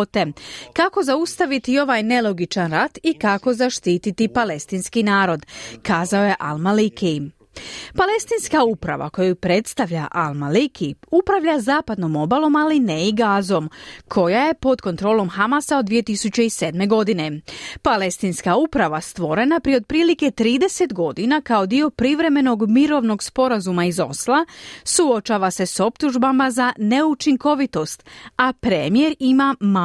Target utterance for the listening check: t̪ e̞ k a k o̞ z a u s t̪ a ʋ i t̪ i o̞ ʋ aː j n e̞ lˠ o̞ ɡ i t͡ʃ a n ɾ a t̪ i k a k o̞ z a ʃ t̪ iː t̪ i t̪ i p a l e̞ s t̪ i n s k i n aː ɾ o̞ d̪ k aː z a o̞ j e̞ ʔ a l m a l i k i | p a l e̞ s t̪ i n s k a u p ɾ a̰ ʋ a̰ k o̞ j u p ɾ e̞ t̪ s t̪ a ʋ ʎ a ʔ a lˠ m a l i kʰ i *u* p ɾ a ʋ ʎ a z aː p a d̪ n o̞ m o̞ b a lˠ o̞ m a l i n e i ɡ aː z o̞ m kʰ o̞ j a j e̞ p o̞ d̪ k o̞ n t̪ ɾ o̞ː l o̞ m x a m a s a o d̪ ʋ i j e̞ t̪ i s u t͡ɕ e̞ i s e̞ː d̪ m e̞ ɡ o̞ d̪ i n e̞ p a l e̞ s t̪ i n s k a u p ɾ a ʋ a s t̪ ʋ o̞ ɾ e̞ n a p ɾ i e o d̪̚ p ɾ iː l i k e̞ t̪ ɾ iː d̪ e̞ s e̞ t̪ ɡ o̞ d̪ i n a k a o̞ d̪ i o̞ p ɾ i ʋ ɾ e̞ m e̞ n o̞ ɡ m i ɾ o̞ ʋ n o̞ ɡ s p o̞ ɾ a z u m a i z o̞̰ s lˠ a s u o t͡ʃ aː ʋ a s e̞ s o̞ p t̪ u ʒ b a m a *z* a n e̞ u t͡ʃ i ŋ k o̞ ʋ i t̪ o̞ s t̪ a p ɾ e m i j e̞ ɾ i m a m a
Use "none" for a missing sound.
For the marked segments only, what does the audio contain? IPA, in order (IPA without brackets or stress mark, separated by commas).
u, z